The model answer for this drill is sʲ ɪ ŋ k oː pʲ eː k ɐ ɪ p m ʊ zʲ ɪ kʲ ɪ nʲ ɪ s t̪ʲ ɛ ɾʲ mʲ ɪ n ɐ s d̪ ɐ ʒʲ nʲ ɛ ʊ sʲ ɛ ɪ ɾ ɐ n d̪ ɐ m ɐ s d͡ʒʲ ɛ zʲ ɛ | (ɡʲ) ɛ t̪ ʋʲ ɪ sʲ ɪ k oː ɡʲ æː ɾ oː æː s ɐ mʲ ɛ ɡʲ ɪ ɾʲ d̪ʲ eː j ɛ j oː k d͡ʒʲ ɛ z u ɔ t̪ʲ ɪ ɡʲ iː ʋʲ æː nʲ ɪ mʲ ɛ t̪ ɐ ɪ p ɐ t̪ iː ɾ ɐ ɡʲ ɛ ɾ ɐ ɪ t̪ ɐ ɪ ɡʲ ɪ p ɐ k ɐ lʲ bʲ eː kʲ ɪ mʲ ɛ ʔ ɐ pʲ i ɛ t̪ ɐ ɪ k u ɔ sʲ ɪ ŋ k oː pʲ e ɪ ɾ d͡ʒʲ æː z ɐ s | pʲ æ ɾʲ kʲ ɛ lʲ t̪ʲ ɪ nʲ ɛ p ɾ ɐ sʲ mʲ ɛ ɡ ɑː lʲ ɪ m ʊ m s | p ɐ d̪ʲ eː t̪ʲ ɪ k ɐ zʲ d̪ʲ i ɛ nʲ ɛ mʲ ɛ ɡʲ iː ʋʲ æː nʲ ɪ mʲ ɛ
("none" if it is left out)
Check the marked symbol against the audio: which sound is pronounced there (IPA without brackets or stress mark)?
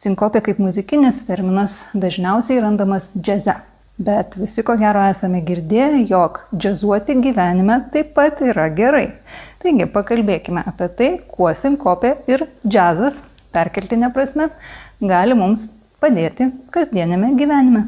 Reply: bʲ